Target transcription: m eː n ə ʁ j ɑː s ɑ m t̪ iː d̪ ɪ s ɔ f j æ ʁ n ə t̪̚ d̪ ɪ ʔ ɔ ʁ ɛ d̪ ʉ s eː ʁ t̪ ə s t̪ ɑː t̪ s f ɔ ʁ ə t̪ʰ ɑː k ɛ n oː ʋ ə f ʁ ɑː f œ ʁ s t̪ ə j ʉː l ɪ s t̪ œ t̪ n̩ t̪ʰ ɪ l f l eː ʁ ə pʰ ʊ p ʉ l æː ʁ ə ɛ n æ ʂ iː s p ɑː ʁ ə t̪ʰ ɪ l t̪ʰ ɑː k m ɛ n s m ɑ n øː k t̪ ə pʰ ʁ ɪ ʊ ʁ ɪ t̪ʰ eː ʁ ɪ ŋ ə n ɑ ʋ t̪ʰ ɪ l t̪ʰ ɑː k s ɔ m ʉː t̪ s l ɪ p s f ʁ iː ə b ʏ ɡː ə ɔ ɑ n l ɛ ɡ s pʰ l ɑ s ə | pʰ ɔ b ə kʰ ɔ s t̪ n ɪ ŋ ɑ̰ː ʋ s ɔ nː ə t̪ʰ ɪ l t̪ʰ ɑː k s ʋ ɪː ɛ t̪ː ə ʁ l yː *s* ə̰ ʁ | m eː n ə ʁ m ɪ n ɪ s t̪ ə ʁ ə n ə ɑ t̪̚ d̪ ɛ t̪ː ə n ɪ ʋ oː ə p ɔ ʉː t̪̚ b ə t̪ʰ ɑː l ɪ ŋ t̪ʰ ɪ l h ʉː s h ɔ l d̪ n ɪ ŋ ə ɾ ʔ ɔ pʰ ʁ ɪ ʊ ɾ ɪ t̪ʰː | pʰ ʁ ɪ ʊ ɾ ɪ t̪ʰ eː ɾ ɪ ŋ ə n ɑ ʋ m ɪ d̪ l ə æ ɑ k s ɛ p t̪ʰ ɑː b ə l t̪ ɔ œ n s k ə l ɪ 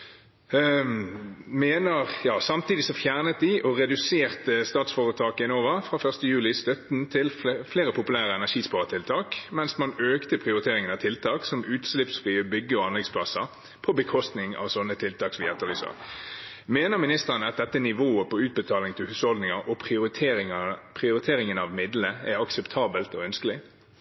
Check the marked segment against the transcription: correct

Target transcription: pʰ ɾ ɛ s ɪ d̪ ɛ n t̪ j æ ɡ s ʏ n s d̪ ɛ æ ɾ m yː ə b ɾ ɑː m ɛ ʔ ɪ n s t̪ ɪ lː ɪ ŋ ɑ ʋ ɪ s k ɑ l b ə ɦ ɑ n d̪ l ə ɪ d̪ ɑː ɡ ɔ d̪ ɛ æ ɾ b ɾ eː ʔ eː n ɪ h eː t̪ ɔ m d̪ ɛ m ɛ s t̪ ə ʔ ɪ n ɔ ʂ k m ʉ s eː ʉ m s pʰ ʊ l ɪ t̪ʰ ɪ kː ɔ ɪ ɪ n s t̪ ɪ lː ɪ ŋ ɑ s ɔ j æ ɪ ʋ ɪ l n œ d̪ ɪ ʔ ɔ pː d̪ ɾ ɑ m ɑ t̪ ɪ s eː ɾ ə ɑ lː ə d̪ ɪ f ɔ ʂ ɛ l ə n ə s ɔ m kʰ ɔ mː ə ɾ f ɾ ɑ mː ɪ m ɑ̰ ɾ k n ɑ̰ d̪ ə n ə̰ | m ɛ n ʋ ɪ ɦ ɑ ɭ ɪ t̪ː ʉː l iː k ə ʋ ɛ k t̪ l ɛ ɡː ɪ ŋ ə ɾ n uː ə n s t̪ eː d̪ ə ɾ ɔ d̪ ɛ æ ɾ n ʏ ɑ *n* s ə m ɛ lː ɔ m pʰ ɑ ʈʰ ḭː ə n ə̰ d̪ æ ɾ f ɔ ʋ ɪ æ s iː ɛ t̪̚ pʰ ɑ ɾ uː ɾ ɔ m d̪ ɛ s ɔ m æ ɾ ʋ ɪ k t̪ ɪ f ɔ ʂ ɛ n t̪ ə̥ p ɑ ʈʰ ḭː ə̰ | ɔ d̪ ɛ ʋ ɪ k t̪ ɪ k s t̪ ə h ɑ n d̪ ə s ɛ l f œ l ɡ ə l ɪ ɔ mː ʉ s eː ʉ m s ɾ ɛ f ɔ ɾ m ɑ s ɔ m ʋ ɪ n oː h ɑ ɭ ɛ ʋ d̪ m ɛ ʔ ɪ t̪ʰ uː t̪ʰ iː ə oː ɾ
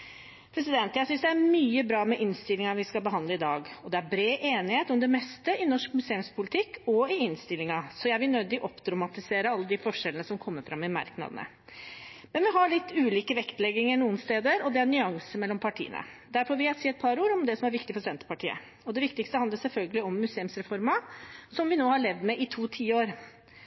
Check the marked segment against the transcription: incorrect: ŋ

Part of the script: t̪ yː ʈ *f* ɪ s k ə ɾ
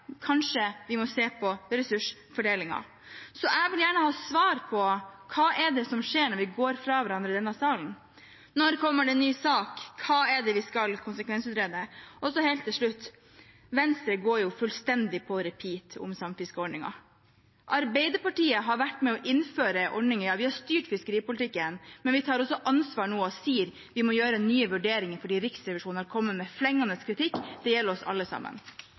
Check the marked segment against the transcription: correct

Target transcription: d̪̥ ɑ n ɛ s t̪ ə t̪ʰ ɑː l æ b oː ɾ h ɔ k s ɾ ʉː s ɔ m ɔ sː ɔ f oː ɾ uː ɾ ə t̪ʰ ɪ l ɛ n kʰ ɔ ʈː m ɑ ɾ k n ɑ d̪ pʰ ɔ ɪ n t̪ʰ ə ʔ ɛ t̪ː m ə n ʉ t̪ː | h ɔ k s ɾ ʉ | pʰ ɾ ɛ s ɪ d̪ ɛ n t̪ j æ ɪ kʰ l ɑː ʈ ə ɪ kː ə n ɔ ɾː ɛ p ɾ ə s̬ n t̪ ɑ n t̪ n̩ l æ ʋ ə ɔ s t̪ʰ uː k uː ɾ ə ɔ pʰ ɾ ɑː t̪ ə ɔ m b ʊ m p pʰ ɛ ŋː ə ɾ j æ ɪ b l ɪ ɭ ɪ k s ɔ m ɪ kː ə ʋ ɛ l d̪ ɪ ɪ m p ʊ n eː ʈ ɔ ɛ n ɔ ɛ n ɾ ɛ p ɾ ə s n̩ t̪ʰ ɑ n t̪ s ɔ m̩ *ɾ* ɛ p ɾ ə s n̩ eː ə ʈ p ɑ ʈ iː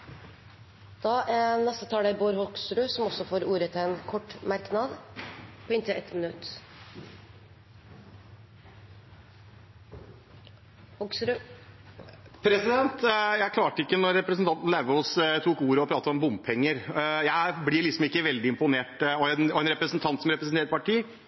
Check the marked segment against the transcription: correct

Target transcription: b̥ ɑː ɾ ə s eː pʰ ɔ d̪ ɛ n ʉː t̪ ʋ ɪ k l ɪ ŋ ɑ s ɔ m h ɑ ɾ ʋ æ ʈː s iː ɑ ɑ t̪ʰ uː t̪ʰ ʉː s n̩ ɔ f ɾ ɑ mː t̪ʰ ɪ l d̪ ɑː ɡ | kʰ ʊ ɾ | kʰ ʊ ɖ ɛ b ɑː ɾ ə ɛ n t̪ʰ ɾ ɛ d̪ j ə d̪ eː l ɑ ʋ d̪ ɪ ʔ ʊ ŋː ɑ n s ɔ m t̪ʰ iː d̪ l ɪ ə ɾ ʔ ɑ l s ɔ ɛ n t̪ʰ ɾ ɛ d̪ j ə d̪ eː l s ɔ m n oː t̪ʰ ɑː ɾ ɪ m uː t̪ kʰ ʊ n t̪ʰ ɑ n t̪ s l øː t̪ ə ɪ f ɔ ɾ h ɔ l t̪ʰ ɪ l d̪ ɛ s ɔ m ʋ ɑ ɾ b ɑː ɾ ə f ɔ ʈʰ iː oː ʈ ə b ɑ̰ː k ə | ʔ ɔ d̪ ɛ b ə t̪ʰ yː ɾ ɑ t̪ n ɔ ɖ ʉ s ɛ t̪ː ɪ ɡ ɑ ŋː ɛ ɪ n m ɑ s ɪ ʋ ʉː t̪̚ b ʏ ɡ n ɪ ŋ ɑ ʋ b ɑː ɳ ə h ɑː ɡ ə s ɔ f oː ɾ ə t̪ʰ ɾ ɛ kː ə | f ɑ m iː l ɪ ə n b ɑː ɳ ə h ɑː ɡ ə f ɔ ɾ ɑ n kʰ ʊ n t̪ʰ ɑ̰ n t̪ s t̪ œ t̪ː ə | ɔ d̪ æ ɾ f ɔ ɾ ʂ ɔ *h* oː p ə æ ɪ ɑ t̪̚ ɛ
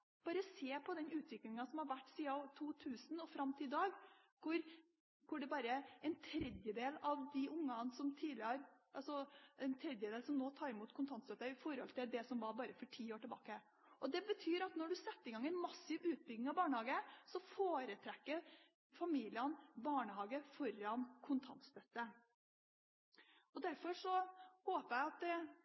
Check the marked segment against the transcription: correct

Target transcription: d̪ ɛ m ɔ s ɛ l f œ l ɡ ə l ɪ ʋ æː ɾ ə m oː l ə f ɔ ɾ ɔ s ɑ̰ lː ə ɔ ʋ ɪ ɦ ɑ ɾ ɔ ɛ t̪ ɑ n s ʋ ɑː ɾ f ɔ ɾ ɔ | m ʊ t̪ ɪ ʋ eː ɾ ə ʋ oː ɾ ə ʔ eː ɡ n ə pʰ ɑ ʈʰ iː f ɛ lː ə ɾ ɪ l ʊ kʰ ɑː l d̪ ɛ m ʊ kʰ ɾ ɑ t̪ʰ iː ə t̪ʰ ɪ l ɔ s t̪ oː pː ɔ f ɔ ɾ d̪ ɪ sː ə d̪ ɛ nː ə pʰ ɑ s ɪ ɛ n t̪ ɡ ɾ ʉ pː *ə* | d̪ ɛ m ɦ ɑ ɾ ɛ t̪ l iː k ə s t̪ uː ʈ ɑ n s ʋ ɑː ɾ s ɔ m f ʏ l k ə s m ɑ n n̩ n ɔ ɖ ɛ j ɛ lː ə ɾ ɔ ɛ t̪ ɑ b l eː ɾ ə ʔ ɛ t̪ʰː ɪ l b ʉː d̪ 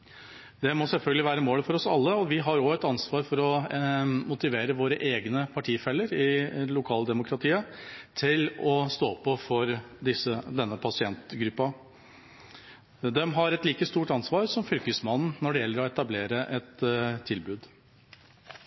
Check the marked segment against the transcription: incorrect: ɑ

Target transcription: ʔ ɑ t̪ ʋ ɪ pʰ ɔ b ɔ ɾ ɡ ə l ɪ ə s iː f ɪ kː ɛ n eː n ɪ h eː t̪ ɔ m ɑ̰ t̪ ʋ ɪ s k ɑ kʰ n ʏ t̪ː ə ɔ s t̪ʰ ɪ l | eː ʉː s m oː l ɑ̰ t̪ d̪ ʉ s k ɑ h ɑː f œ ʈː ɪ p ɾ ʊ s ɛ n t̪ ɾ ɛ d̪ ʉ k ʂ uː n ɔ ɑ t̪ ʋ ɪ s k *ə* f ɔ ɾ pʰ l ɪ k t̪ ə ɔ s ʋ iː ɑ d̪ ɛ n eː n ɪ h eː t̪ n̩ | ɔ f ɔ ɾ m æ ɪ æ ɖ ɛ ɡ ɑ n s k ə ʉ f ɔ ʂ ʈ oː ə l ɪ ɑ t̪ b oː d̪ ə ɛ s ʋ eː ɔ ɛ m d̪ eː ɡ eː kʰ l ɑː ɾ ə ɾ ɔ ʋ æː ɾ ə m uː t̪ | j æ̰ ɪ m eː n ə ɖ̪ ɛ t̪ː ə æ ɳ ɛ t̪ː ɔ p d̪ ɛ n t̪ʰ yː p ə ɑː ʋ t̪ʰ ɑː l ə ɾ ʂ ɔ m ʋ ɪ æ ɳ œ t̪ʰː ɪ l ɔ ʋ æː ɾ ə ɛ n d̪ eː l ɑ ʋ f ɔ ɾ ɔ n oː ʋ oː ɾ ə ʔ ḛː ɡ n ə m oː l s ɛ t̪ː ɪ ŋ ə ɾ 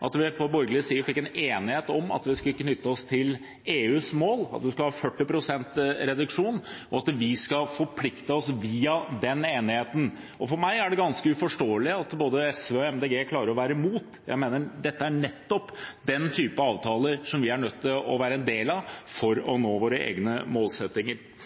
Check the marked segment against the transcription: incorrect: ɑ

